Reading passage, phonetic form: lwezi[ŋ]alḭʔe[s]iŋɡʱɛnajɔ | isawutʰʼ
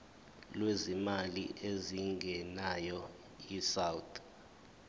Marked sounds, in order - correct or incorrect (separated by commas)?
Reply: incorrect, incorrect